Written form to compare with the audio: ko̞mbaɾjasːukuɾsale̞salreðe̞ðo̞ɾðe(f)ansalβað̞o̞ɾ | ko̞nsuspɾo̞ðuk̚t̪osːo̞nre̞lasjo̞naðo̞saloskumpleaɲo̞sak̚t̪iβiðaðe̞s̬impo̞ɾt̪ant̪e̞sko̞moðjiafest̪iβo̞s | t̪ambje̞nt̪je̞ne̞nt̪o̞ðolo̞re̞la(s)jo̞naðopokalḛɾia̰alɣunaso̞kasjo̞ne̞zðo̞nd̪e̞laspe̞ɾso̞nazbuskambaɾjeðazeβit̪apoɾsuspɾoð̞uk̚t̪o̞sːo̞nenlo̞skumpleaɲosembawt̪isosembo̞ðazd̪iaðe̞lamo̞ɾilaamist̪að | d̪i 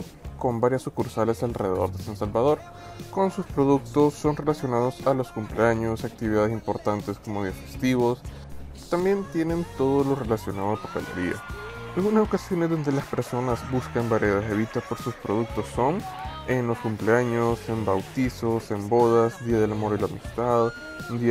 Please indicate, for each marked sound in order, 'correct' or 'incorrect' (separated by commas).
incorrect, correct